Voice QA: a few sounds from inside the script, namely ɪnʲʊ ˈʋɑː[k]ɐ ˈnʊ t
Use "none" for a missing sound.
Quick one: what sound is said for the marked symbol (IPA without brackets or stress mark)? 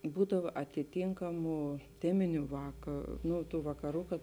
k